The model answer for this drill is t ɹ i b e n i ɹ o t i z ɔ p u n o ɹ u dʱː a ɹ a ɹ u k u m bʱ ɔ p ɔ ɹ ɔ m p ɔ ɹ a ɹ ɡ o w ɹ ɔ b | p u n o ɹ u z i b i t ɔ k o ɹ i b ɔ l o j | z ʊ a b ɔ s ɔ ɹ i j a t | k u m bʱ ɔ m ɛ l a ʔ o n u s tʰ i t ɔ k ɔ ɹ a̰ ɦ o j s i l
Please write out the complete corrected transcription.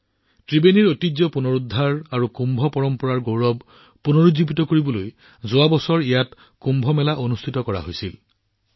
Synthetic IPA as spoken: t ɹ i b e n i ɹ o t i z ɔ p u n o ɹ u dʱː a ɹ a ɹ u k u m bʱ ɔ p ɔ ɹ ɔ m p ɔ ɹ a ɹ ɡ o w ɹ ɔ b | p u n o ɹ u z i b i t ɔ k o ɹ i b ɔ l o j | z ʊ a b ɔ s ɔ ɹ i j a t | k u m bʱ ɔ m ɛ l a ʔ o n u s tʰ i t ɔ k ɔ ɹ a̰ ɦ o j s i l

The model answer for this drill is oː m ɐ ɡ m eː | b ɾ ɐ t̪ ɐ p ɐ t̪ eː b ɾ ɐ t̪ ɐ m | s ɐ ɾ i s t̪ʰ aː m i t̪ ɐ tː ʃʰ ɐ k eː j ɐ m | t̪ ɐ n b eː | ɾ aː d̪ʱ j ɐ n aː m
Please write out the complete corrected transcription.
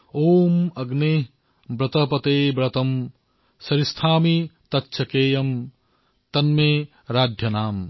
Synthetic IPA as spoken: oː m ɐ ɡ n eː | b ɾ ɐ t̪ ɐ p ɐ t̪ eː b ɾ ɐ t̪ ɐ m | s ɐ ɾ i s t̪ʰ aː m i t̪ ɐ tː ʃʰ ɐ k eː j ɐ m | t̪ ɐ n m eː | ɾ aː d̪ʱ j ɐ n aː m

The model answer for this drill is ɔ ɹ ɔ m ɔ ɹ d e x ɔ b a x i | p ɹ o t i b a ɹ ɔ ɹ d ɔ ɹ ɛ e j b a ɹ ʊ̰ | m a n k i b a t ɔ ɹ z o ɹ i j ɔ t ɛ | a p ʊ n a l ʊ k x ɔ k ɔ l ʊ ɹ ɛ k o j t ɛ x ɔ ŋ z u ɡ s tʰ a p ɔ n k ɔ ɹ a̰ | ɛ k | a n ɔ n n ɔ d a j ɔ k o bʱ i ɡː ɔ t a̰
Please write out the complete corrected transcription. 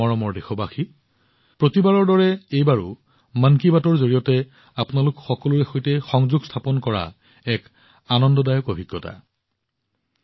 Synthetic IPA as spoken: ɔ ɹ ɔ m ɔ ɹ d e x ɔ b a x i | p ɹ o t i b a ɹ ɔ ɹ d ɔ ɹ ɛ e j b a ɹ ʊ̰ | m a n k i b a t ɔ ɹ z o ɹ i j ɔ t ɛ | a p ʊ n a l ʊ k x ɔ k ɔ l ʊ ɹ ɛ x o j t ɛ x ɔ ŋ z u ɡ s tʰ a p ɔ n k ɔ ɹ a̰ | ɛ k | a n ɔ n d ɔ d a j ɔ k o bʱ i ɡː ɔ t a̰

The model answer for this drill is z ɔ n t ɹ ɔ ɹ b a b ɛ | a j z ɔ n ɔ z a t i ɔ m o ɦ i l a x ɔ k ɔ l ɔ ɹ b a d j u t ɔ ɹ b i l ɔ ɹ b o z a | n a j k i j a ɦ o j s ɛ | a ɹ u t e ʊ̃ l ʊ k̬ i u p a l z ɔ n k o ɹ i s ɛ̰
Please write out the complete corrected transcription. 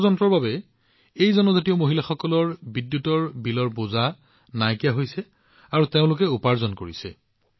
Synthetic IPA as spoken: z ɔ n t ɹ ɔ ɹ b a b ɛ | e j z ɔ n ɔ z a t i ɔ m o ɦ i l a x ɔ k ɔ l ɔ ɹ b i d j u t ɔ ɹ b i l ɔ ɹ b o z a | n a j k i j a ɦ o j s ɛ | a ɹ u t e ʊ̃ l ʊ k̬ ɛ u p a ɹ z ɔ n k o ɹ i s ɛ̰

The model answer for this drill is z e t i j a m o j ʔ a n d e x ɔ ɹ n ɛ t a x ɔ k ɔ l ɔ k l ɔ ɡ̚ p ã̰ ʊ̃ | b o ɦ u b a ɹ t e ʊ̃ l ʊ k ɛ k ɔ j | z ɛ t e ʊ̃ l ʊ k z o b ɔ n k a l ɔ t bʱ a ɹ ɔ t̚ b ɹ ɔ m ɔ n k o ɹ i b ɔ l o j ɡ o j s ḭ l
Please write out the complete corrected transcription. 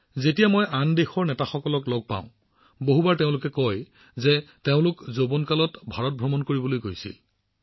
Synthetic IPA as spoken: z e t i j a m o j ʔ a n d e x ɔ ɹ n ɛ t a x ɔ k ɔ l ɔ k l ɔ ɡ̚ p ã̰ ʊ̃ | b o ɦ u b a ɹ t e ʊ̃ l ʊ k ɛ k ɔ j | z ɛ t e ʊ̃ l ʊ k z o b ɔ n k a l ɔ t bʱ a ɹ ɔ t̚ b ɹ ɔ m ɔ n k o ɹ i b ɔ l o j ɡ o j s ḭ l

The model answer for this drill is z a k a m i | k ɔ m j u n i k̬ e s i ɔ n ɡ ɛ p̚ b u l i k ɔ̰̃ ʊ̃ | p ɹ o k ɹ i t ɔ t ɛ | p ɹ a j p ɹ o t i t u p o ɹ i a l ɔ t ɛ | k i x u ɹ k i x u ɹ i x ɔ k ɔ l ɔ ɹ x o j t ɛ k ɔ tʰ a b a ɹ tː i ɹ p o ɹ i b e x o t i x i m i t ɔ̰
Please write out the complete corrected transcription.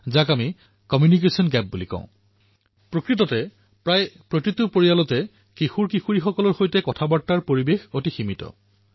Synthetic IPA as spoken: z a k a m i | k ɔ m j u n i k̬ e s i ɔ n ɡ ɛ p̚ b u l i k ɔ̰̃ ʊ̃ | p ɹ o k ɹ i t ɔ t ɛ | p ɹ a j p ɹ o t i t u p o ɹ i a l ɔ t ɛ | k i x u ɹ k i x u ɹ i x ɔ k ɔ l ɔ ɹ x o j t ɛ k ɔ tʰ a b a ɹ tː a ɹ p o ɹ i b e x o t i x i m i t ɔ̰

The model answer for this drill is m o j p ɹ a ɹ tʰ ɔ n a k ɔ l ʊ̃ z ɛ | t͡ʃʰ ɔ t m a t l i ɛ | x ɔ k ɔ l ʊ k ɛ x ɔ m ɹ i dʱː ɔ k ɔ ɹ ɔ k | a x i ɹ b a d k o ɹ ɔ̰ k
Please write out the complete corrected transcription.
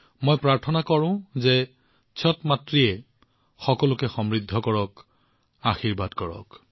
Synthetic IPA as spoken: m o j p ɹ a ɹ tʰ ɔ n a k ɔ ɹ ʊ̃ z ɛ | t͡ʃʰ ɔ t m a t ɹ i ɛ | x ɔ k ɔ l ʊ k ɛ x ɔ m ɹ i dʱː ɔ k ɔ ɹ ɔ k | a x i ɹ b a d k ɔ ɹ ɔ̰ k

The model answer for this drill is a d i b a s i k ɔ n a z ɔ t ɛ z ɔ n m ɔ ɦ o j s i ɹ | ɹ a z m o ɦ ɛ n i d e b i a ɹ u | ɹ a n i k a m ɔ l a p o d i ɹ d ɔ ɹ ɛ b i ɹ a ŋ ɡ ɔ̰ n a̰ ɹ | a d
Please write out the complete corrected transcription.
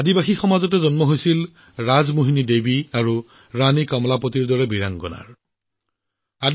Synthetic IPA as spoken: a d i b a x i x ɔ m a z ɔ t ɛ z ɔ n m ɔ ɦ o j s i l | ɹ a z m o ɦ i n i d e b i a ɹ u | ɹ a n i k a m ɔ l a p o t i ɹ d ɔ ɹ ɛ b i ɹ a ŋ ɡ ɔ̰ n a̰ ɹ | a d

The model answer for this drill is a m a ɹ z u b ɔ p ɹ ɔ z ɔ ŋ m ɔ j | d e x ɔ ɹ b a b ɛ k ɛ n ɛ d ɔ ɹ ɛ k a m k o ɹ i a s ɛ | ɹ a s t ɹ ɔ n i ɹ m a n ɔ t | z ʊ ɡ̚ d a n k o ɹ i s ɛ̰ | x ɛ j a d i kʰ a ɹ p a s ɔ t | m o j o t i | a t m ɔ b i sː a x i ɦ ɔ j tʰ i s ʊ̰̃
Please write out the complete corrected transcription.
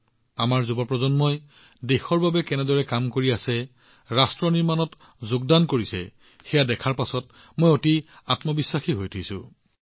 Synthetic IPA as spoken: a m a ɹ z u b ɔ p ɹ ɔ z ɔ n m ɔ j | d e x ɔ ɹ b a b ɛ k ɛ n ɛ d ɔ ɹ ɛ k a m k o ɹ i a s ɛ | ɹ a s t ɹ ɔ n i ɹ m a n ɔ t | z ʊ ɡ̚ d a n k o ɹ i s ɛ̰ | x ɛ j a d ɛ kʰ a ɹ p a s ɔ t | m o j o t i | a t m ɔ b i sː a x i ɦ o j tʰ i s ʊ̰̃

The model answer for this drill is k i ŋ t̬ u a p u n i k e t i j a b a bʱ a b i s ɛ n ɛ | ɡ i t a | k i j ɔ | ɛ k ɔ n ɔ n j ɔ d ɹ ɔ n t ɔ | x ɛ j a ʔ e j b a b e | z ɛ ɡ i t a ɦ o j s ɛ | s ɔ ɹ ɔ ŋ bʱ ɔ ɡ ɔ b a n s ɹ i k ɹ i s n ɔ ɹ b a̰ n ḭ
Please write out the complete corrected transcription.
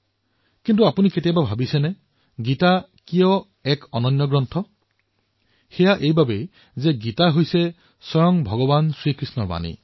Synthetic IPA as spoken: k i n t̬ u a p u n i k e t i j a b a bʱ a b i s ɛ n ɛ | ɡ i t a | k i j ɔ | ɛ k ɔ n ɔ n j ɔ ɡ ɹ ɔ n tʰ ɔ | x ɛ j a ʔ e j b a b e | z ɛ ɡ i t a ɦ o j s ɛ | s ɔ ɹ ɔ ŋ bʱ ɔ ɡ ɔ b a n s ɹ i k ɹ i s n ɔ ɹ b a̰ n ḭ

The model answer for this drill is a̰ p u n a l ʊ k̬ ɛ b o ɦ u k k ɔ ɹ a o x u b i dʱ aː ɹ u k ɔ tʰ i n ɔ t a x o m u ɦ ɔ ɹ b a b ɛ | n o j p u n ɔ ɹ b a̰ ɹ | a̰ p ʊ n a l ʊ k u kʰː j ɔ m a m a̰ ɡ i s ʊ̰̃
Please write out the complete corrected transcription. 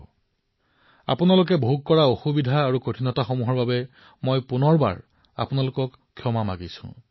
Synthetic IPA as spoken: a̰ p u n a l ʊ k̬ ɛ b o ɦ u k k ɔ ɹ a o x u b i dʱ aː ɹ u k o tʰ i n ɔ t a x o m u ɦ ɔ ɹ b a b ɛ | m o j p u n ɔ ɹ b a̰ ɹ | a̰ p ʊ n a l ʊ k ɔ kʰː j ɔ m a m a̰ ɡ i s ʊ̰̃

